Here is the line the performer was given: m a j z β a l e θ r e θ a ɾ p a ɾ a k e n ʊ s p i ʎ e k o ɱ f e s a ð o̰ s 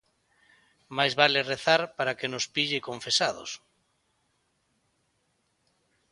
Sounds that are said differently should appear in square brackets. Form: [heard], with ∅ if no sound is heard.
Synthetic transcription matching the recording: m a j z β a l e [∅] r e θ a ɾ p a ɾ a k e n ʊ s p i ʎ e k o ɱ f e s a ð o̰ s